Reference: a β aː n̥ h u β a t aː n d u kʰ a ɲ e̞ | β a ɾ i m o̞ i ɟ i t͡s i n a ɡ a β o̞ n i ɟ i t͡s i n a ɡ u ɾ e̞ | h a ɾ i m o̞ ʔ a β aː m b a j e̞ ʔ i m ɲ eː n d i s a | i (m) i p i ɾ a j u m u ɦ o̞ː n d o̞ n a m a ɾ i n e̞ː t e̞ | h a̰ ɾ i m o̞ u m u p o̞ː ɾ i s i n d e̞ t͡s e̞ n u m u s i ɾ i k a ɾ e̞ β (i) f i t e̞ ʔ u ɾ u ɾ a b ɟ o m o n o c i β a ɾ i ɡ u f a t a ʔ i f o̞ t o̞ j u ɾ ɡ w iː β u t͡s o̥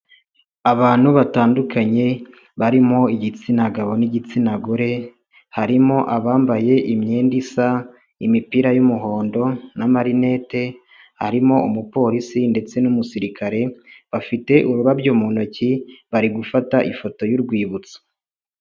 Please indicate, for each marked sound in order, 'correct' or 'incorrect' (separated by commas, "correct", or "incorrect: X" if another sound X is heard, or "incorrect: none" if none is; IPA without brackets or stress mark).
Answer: correct, incorrect: a